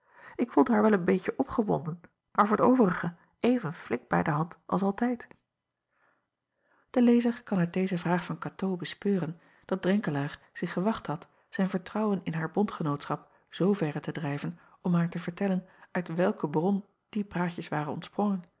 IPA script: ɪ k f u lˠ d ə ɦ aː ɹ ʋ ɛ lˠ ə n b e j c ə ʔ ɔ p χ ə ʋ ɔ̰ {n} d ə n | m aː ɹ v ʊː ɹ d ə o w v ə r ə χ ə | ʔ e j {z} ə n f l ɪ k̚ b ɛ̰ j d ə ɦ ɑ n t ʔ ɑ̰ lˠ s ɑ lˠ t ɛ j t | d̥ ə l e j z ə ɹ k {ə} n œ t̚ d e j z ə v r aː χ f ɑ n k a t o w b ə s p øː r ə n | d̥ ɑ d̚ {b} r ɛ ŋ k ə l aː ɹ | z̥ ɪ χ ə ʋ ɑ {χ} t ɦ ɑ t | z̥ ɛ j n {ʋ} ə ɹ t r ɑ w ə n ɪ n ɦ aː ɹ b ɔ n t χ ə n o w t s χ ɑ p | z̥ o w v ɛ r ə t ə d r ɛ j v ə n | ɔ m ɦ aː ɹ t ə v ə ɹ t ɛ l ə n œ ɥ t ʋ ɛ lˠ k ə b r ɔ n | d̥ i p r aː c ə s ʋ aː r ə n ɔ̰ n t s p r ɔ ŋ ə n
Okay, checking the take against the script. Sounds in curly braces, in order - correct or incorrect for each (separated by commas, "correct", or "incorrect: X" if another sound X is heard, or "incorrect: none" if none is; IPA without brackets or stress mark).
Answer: correct, incorrect: v, incorrect: ɑ, incorrect: d, correct, incorrect: v